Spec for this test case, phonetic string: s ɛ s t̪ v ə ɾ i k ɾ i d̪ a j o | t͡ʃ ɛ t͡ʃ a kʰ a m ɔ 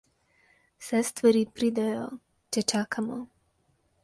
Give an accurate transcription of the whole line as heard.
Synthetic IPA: s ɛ s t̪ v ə ɾ i p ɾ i d̪ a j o | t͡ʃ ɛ t͡ʃ a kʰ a m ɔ